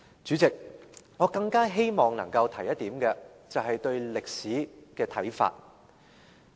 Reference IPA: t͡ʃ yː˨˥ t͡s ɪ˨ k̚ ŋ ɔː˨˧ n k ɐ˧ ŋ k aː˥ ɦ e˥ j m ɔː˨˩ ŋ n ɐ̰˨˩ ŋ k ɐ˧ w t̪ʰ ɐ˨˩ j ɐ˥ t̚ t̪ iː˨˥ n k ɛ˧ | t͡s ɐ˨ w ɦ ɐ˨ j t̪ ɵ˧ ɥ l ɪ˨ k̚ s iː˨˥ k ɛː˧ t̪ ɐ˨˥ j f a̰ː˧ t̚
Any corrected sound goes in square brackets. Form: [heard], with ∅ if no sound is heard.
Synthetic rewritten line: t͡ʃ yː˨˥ t͡s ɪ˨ k̚ ŋ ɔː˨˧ [∅] k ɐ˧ ŋ k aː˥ ɦ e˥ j m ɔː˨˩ ŋ n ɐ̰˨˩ ŋ k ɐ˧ w t̪ʰ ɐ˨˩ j ɐ˥ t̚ t̪ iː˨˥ [m] k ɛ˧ | t͡s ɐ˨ w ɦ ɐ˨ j t̪ ɵ˧ ɥ l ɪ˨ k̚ s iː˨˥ k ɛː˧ [t̪ʰ] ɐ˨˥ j f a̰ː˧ t̚